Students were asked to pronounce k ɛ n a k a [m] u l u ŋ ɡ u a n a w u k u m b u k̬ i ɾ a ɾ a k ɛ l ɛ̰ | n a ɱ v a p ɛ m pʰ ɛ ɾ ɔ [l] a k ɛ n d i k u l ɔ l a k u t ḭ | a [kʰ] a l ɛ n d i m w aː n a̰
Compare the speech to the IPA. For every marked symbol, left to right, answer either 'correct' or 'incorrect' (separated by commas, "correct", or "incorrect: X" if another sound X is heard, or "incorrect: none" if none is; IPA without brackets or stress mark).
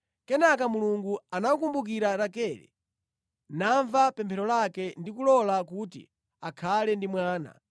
correct, correct, correct